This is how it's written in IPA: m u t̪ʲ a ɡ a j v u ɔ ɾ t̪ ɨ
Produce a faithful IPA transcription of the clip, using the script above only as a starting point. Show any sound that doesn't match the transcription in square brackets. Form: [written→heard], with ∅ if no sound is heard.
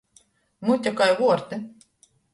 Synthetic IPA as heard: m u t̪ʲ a [ɡ→k] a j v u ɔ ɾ t̪ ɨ